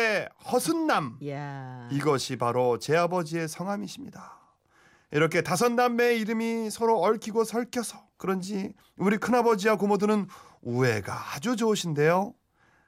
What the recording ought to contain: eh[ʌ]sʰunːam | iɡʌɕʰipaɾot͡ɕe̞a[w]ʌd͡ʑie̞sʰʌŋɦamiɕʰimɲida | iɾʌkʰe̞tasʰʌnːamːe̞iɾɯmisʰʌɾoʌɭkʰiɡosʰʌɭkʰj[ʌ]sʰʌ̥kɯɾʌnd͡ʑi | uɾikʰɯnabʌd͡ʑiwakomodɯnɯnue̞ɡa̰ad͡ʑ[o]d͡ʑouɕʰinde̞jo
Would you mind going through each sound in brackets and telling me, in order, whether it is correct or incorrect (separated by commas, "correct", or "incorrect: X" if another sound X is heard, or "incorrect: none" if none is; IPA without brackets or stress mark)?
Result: correct, incorrect: b, correct, incorrect: u